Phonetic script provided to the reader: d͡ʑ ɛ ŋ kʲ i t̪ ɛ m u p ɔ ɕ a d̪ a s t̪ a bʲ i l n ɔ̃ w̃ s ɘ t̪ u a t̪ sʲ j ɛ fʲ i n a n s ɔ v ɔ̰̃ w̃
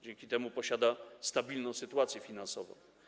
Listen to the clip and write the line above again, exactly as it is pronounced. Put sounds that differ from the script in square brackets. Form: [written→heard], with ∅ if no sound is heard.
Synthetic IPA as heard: d͡ʑ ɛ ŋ kʲ i t̪ ɛ m u p ɔ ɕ a d̪ a s t̪ a bʲ i l n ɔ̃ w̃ s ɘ t̪ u a t̪ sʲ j ɛ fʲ i n a n s ɔ v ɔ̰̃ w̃